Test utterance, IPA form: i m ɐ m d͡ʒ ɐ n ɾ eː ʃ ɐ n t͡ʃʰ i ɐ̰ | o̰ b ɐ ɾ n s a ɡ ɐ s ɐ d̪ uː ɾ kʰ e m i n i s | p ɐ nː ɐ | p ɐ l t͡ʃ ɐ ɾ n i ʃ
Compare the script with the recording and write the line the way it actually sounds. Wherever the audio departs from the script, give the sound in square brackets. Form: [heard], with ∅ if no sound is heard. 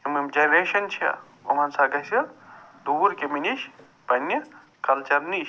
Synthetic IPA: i m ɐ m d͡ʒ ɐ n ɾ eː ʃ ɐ n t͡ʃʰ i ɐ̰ | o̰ [m] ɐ [∅] n s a ɡ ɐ s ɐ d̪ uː ɾ [k] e m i n i [ʃ] | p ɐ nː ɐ | [k] ɐ l t͡ʃ ɐ ɾ n i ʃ